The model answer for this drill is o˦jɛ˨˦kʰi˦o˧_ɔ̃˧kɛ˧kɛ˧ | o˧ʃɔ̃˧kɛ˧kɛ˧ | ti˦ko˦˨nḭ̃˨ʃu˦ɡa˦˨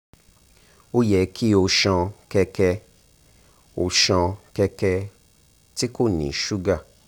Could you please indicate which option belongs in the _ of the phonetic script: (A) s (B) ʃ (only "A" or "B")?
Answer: B